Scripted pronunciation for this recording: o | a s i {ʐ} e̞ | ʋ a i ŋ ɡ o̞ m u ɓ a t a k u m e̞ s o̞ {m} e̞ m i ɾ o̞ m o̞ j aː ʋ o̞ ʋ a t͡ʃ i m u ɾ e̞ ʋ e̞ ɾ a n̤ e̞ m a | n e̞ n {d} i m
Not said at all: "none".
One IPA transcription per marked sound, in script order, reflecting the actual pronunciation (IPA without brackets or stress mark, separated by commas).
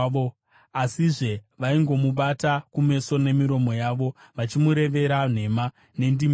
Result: ʐ, n, d